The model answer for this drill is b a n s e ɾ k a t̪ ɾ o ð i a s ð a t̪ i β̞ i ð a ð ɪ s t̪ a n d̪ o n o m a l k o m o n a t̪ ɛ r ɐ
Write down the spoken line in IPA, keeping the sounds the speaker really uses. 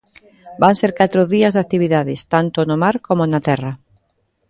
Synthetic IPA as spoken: b a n s e ɾ k a t̪ ɾ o ð i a z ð a t̪ i β̞ i ð a ð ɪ s t̪ a n t̪ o n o m a ɾ k o m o n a t̪ ɛ r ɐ